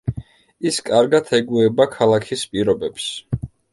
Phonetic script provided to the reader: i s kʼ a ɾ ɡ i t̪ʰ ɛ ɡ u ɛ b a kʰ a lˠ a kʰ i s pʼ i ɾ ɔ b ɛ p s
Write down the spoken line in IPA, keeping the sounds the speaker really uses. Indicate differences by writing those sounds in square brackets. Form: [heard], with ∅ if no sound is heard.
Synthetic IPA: i s kʼ a ɾ ɡ [a] t̪ʰ ɛ ɡ u ɛ b a kʰ a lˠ a kʰ i s pʼ i ɾ ɔ b ɛ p s